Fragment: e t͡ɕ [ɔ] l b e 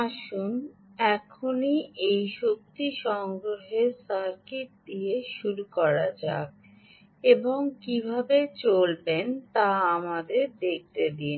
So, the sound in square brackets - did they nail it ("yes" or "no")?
no